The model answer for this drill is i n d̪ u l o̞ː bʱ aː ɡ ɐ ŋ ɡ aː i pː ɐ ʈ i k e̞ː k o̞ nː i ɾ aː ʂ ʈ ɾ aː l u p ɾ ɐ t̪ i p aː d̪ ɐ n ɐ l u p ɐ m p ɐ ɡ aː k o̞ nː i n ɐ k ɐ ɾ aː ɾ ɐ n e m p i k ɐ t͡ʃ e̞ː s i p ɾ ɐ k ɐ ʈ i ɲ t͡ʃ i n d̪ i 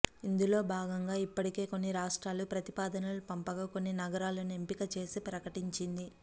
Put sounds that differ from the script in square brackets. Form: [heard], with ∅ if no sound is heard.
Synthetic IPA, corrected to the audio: i n d̪ u l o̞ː bʱ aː ɡ ɐ ŋ ɡ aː i pː ɐ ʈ i k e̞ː k o̞ nː i ɾ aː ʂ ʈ ɾ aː l u p ɾ ɐ t̪ i p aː d̪ ɐ n ɐ l u p ɐ m p ɐ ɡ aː k o̞ nː i n ɐ [ɡ] ɐ ɾ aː [l] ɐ n e m p i k ɐ t͡ʃ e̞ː s i p ɾ ɐ k ɐ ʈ i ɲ t͡ʃ i n d̪ i

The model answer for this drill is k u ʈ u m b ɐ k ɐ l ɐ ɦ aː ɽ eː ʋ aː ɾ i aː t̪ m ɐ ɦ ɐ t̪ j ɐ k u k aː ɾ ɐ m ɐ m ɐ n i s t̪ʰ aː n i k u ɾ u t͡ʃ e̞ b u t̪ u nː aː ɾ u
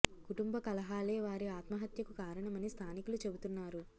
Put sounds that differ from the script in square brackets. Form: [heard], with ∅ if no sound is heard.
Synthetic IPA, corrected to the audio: k u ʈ u m b ɐ k ɐ l ɐ ɦ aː [l] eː ʋ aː ɾ i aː t̪ m ɐ ɦ ɐ t̪ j ɐ k u k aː ɾ ɐ [ɳ] ɐ m ɐ n i s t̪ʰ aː n i k u [l] u t͡ʃ e̞ b u t̪ u nː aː ɾ u

